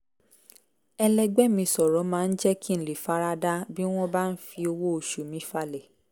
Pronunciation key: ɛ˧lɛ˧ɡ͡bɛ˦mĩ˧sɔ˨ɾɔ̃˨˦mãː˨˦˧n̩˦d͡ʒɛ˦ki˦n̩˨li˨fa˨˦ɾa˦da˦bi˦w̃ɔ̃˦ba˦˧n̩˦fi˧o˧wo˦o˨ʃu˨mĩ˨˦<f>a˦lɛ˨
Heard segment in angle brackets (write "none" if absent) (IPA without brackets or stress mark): f